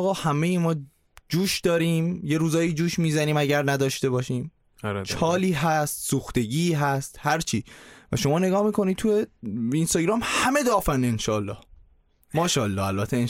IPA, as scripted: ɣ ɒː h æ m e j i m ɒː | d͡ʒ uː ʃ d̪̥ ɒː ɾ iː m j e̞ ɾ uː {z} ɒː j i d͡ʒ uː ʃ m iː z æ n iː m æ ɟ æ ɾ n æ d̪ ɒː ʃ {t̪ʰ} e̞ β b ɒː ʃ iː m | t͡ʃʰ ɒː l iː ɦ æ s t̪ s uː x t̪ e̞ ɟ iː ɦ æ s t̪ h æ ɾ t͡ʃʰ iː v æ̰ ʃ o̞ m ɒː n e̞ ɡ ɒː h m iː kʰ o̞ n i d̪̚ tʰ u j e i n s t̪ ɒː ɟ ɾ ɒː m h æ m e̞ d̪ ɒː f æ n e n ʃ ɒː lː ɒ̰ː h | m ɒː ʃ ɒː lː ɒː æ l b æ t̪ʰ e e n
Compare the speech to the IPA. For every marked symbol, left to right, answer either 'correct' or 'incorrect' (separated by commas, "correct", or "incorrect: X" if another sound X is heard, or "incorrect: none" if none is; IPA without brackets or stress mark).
correct, incorrect: t̪